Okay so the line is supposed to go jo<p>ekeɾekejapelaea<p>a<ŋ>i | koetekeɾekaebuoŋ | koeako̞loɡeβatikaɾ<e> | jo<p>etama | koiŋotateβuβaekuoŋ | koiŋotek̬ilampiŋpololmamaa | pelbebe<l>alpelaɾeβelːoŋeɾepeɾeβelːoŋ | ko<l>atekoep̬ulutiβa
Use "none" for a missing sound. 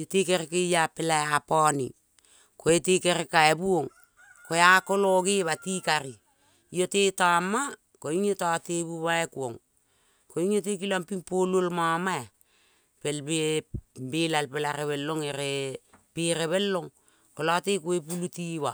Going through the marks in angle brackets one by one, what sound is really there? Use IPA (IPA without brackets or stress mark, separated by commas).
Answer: t, p, n, i, t, l, l